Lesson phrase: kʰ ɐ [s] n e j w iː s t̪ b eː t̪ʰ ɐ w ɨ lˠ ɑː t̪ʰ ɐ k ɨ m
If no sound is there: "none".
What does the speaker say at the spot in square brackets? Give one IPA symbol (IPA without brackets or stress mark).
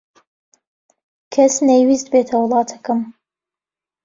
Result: s